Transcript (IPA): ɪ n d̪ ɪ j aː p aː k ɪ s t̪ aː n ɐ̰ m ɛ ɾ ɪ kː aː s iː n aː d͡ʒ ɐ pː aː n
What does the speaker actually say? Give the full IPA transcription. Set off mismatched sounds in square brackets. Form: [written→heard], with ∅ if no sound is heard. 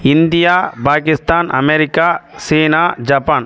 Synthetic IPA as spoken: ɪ n d̪ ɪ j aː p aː k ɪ s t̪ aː n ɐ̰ m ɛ ɾ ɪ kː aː s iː n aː d͡ʒ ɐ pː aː n